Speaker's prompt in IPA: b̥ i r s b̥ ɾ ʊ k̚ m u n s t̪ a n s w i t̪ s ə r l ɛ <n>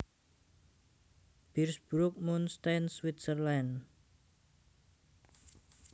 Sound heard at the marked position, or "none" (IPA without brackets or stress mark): n